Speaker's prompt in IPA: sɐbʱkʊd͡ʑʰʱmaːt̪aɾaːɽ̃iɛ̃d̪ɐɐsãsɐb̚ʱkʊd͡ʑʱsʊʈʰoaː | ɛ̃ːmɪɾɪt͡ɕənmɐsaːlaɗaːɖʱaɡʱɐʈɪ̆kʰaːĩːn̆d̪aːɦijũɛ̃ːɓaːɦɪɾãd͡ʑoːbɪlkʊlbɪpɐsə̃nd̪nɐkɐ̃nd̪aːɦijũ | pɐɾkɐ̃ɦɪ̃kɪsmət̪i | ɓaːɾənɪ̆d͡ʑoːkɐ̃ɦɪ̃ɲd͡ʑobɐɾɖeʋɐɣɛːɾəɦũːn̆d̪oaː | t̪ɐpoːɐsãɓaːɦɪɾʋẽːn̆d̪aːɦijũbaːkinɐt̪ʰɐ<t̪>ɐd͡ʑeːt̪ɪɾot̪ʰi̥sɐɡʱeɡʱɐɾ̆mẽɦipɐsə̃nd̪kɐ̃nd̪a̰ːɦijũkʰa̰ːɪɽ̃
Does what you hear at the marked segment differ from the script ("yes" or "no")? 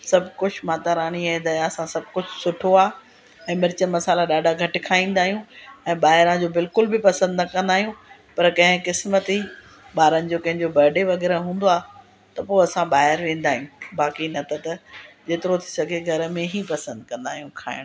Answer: no